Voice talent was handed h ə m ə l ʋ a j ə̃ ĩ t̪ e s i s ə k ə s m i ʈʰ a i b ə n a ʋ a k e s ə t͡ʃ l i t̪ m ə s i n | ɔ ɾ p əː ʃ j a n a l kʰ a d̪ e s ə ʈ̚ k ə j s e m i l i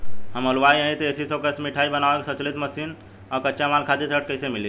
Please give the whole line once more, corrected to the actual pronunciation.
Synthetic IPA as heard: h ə m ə l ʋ a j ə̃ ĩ t̪ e s i s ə k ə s m i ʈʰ a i b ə n a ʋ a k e s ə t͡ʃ l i t̪ m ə s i n | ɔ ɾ k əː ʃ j a m a l kʰ a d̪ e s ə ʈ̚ k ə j s e m i l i